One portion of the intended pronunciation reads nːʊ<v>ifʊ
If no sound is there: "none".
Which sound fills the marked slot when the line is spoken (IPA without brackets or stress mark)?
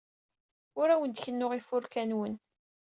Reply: ʁ